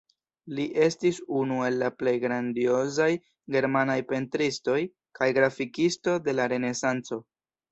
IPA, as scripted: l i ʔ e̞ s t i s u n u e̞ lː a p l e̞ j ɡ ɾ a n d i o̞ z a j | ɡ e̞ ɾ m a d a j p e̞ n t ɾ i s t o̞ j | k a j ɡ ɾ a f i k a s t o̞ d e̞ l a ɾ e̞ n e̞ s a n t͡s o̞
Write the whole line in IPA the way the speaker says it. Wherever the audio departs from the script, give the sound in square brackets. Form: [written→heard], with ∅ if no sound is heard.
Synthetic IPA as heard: l i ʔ e̞ s t i s u n u e̞ lː a p l e̞ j ɡ ɾ a n d i o̞ z a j | ɡ e̞ ɾ m a [d→n] a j p e̞ n t ɾ i s t o̞ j | k a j ɡ ɾ a f i k [a→i] s t o̞ d e̞ l a ɾ e̞ n e̞ s a n t͡s o̞